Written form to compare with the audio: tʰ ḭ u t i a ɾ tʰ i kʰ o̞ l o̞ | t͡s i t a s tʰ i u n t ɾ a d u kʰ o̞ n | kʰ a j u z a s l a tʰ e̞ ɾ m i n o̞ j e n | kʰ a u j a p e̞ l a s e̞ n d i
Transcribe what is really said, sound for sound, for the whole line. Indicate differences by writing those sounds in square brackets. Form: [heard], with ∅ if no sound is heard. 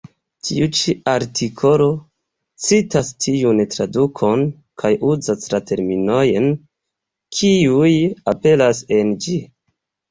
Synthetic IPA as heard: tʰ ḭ u [t͡ʃ] i a ɾ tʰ i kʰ o̞ l o̞ | t͡s i t a s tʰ i u n t ɾ a d u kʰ o̞ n | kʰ a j u z a s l a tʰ e̞ ɾ m i n o̞ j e n | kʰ [i] u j a p e̞ l a s e̞ n [d͡ʒ] i